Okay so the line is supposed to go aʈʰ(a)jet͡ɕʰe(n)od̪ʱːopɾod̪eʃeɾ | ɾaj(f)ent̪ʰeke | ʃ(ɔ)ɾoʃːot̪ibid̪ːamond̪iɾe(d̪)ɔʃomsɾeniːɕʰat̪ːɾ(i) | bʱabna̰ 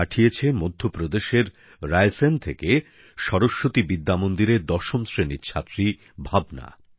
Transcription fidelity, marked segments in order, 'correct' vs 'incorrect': incorrect, incorrect, incorrect, correct, correct, correct

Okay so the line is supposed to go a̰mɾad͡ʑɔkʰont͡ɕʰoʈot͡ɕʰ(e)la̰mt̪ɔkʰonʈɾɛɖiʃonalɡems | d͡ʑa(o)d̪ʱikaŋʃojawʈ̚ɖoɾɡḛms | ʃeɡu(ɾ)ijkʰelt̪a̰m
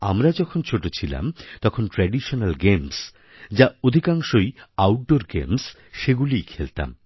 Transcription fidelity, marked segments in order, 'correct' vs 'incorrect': incorrect, correct, incorrect

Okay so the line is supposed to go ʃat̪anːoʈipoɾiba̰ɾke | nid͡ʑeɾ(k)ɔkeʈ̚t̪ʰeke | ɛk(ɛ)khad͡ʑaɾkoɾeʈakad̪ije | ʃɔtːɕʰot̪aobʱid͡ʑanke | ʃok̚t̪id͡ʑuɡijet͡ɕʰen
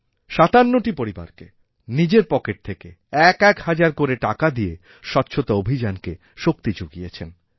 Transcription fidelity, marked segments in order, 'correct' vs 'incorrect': incorrect, correct

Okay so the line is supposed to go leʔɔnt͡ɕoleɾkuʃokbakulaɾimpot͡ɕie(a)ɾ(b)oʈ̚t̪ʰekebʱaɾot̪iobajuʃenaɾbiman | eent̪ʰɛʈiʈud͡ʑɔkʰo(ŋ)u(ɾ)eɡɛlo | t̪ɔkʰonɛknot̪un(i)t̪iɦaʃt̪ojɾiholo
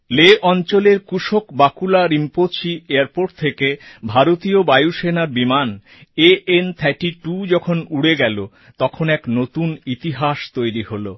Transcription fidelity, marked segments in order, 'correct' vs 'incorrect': correct, incorrect, incorrect, incorrect, correct

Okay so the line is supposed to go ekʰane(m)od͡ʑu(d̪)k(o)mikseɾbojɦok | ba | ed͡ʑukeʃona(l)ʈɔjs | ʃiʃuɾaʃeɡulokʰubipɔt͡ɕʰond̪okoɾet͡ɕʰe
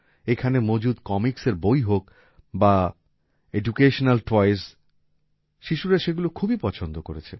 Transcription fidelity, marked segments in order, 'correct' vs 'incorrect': correct, correct, incorrect, correct

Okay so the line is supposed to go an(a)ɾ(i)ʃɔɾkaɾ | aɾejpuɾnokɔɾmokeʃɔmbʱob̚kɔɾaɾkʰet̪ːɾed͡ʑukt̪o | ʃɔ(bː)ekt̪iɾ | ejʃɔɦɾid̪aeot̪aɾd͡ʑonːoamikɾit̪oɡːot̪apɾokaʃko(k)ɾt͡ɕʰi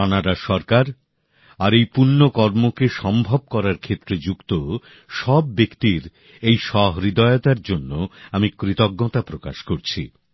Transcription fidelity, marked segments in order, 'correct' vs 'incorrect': correct, incorrect, correct, incorrect

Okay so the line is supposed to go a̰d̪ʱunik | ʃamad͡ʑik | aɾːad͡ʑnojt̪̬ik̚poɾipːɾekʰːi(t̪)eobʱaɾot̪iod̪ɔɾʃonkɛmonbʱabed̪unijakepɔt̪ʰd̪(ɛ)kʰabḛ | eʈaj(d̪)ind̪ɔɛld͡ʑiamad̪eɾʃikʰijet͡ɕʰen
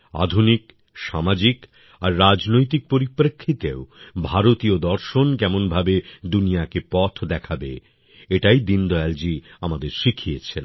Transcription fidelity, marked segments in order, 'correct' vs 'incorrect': correct, correct, correct

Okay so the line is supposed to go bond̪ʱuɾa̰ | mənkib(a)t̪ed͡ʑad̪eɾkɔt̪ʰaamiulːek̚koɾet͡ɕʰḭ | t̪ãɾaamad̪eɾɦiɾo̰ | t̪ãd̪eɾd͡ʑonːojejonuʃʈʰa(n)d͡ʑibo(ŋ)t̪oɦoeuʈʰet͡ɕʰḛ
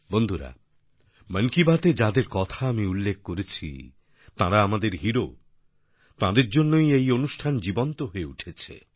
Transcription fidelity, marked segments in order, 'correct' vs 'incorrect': correct, correct, incorrect

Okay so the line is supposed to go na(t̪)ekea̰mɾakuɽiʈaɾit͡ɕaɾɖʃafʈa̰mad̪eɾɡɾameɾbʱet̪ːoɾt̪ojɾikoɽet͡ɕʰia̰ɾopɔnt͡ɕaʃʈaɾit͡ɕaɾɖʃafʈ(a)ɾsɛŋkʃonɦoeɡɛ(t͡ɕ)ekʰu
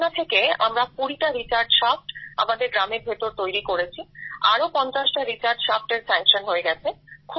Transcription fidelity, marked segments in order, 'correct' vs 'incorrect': incorrect, incorrect, incorrect

